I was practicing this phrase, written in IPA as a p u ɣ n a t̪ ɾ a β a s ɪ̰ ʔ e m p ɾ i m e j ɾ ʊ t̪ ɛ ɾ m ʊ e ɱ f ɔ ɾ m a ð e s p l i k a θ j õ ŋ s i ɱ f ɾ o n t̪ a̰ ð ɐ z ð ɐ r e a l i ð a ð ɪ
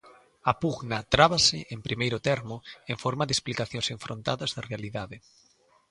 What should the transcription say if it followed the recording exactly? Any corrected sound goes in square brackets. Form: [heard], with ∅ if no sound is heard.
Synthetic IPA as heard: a p u ɣ n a t̪ ɾ a β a s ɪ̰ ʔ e m p ɾ i m e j ɾ ʊ t̪ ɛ ɾ m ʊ e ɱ f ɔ ɾ m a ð e s p l i k a θ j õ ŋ s [e] ɱ f ɾ o n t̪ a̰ ð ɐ z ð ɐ r e a l i ð a ð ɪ